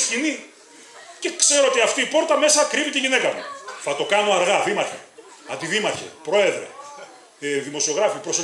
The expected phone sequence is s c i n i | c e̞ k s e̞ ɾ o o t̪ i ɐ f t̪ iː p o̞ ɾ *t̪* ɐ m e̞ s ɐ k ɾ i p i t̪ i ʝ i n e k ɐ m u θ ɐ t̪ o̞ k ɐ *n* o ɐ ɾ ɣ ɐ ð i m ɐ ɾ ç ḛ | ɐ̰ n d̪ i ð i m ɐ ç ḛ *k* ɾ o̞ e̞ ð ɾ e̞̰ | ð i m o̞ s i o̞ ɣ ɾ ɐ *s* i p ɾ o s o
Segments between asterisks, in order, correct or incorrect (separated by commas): correct, correct, incorrect, incorrect